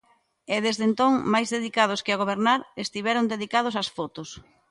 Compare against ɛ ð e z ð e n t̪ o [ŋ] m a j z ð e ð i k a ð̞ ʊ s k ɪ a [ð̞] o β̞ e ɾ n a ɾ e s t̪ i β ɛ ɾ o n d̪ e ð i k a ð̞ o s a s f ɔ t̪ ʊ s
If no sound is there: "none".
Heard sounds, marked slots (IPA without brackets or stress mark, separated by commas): ŋ, ɣ̞